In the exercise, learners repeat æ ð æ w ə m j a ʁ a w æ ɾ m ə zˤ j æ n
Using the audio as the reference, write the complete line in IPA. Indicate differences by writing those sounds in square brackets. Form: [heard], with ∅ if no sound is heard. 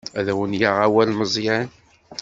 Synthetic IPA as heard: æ ð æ w ə [n] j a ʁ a w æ [l] m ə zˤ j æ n

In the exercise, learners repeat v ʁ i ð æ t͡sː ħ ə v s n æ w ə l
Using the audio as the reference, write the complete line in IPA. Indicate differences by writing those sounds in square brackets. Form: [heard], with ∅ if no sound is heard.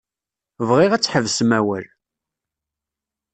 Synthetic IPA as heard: v ʁ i [ʁ] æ t͡sː ħ ə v s [m] æ w ə l

